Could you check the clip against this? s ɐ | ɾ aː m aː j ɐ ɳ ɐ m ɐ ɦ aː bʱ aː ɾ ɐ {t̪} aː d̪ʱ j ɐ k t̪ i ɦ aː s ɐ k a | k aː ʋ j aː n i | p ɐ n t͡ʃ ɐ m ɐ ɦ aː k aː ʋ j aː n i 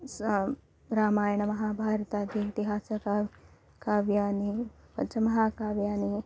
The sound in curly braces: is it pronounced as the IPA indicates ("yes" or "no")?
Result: yes